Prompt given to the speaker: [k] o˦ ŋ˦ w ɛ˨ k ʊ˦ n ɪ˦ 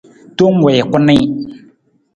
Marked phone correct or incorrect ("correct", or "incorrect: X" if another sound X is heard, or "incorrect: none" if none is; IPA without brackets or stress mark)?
incorrect: t